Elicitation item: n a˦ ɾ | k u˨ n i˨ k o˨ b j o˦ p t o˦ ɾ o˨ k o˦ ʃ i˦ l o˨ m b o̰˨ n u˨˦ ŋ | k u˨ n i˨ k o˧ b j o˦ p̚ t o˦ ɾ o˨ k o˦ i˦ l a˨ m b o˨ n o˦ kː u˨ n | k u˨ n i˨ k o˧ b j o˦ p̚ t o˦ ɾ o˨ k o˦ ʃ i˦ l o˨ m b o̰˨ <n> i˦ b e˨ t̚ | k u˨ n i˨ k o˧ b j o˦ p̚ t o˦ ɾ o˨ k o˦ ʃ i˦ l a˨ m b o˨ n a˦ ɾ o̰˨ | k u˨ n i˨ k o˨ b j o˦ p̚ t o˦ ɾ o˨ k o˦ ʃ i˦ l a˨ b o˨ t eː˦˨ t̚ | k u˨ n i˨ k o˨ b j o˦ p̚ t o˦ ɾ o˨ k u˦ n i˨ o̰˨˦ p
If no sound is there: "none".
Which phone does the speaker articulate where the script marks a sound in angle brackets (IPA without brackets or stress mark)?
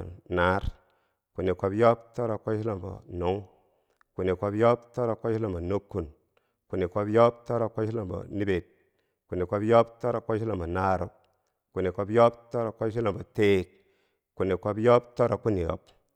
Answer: n